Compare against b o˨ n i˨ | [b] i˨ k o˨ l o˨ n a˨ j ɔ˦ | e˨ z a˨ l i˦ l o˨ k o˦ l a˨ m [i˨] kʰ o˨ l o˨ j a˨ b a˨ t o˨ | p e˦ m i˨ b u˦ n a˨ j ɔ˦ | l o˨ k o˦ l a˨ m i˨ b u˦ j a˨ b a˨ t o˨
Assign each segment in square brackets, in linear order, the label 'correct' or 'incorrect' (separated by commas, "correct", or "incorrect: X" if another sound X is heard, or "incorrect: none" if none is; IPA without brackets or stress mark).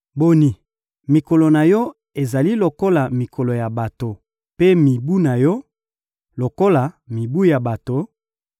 incorrect: m, correct